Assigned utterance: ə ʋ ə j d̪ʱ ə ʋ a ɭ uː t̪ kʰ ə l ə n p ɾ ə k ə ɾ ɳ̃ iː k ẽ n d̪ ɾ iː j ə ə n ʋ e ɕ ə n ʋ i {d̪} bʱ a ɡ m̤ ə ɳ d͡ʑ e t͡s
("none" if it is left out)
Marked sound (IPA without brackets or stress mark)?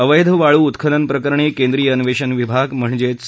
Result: none